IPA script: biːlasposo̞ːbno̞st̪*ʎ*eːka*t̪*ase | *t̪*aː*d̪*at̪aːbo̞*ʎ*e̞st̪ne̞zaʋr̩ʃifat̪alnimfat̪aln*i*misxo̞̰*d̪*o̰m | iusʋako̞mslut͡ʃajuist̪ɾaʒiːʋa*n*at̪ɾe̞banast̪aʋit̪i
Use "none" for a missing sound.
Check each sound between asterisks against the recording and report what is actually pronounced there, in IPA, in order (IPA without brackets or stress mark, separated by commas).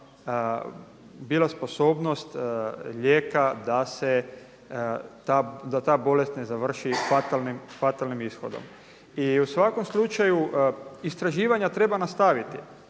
ʎ, d̪, t̪, d̪, l, i, d̪, ɲ